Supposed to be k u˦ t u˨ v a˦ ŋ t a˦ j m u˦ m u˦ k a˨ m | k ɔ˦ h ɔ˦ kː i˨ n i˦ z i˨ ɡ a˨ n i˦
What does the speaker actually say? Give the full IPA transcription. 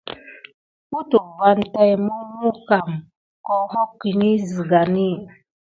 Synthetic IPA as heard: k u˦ t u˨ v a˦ n t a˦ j m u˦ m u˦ k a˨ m | k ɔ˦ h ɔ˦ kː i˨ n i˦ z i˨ ɡ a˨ n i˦